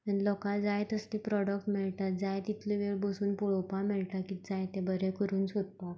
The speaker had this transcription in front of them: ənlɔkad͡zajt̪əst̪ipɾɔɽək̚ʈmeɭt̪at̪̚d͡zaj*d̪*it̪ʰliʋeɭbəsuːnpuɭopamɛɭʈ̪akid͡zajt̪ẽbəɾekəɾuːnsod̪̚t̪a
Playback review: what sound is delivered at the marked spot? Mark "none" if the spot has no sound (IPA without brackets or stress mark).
t̪